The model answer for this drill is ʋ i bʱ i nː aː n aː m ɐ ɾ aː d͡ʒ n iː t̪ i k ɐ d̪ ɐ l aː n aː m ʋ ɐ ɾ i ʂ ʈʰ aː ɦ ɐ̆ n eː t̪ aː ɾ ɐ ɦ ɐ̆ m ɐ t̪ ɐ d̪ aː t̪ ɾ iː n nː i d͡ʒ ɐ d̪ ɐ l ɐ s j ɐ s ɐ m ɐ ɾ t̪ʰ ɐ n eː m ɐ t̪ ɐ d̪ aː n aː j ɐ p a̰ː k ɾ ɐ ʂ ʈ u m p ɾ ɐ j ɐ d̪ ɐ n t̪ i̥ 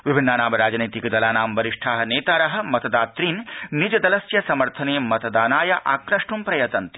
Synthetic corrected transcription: ʋ i bʱ i nː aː n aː m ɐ ɾ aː d͡ʒ n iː t̪ i k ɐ d̪ ɐ l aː n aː m ʋ ɐ ɾ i ʂ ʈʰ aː ɦ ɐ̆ n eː t̪ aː ɾ ɐ ɦ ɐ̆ m ɐ t̪ ɐ d̪ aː t̪ ɾ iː n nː i d͡ʒ ɐ d̪ ɐ l ɐ s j ɐ s ɐ m ɐ ɾ t̪ʰ ɐ n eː m ɐ t̪ ɐ d̪ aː n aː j ɐ ʔ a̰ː k ɾ ɐ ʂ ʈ u m p ɾ ɐ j ɐ t̪ ɐ n t̪ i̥